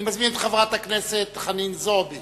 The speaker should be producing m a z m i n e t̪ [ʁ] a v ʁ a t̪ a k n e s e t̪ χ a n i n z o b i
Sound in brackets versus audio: incorrect: χ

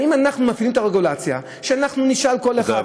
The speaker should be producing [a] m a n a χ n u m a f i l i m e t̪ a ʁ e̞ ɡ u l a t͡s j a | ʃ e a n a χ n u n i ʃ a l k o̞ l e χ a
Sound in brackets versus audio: incorrect: i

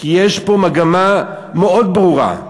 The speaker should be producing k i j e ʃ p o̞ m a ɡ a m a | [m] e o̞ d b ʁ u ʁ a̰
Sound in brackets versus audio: correct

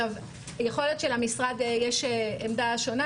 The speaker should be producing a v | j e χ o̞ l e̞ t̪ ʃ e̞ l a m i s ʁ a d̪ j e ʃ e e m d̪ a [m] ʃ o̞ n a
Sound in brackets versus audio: incorrect: none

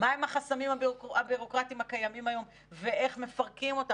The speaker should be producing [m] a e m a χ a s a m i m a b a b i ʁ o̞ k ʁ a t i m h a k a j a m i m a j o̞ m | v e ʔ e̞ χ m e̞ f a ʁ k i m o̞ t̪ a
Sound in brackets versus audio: correct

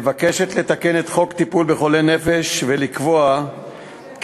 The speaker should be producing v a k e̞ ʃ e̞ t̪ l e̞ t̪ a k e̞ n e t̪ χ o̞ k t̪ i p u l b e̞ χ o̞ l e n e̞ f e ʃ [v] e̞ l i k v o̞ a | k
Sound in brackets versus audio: correct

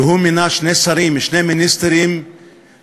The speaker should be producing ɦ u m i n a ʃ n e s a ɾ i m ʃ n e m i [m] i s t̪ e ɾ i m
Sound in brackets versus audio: incorrect: n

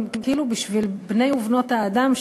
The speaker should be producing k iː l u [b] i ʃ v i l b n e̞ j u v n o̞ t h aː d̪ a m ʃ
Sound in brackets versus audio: correct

